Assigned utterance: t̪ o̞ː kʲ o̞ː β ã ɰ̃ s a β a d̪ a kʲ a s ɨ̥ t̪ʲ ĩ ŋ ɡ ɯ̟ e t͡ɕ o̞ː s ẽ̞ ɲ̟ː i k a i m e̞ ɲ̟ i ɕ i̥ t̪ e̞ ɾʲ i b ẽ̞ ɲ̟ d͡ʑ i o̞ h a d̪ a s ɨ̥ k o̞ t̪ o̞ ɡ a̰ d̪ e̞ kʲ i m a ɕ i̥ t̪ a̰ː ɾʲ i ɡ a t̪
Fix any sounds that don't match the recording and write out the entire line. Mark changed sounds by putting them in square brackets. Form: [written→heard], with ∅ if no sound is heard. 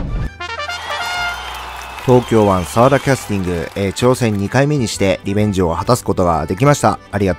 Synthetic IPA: t̪ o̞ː kʲ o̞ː β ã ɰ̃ s a β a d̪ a kʲ a s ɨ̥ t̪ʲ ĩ ŋ ɡ ɯ̟ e t͡ɕ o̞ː s ẽ̞ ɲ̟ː i k a i m e̞ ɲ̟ i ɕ i̥ t̪ e̞ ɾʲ i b ẽ̞ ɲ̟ d͡ʑ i o̞ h a [d̪→t̪] a s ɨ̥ k o̞ t̪ o̞ ɡ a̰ d̪ e̞ kʲ i m a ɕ i̥ t̪ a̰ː ɾʲ i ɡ a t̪